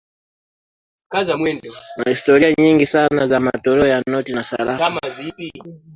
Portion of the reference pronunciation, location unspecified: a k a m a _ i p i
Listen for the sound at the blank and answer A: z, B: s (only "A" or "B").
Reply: A